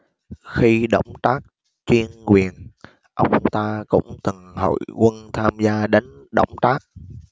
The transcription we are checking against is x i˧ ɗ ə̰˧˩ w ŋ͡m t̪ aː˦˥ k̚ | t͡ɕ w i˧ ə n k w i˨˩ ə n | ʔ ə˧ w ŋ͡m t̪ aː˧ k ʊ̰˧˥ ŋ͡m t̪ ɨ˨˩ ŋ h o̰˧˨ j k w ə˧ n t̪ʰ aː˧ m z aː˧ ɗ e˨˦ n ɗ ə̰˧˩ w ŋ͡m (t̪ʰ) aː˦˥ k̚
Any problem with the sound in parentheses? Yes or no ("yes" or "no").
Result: yes